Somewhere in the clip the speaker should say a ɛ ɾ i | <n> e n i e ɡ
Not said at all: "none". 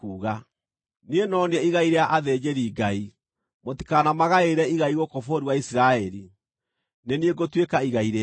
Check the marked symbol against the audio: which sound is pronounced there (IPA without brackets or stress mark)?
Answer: n